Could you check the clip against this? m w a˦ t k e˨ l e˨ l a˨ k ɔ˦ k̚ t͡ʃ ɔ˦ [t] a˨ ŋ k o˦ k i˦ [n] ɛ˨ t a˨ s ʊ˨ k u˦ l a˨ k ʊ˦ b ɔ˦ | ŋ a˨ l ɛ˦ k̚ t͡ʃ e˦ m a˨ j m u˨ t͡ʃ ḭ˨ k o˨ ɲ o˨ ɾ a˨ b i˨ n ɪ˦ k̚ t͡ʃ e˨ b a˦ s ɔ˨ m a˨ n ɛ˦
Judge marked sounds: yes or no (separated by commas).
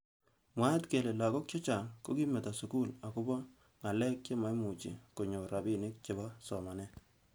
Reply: no, no